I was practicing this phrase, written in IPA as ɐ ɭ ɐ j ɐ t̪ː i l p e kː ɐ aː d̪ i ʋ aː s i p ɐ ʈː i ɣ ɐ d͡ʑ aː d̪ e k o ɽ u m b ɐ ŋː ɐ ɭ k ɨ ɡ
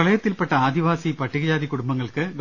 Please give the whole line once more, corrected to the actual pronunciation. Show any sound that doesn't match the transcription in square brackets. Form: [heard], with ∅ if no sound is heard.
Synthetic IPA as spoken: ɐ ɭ ɐ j ɐ t̪ː i l p e [ʈː] ɐ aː d̪ i ʋ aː s i p ɐ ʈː i ɣ ɐ d͡ʑ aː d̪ [i] k [u] ɽ u m b ɐ ŋː ɐ ɭ k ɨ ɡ

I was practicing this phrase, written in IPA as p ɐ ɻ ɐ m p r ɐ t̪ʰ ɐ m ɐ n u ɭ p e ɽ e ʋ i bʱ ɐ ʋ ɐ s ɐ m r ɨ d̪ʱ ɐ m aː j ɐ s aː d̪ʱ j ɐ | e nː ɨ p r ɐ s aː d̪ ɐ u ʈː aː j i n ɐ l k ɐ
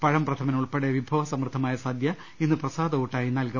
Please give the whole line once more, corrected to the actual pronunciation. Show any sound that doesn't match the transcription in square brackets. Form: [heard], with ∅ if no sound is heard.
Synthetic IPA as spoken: p ɐ ɻ ɐ m p r ɐ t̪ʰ ɐ m ɐ n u ɭ p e ɽ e ʋ i bʱ ɐ ʋ ɐ s ɐ m r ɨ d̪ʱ ɐ m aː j ɐ s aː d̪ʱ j ɐ | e nː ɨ p r ɐ s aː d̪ ɐ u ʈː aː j i n ɐ l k ɐ

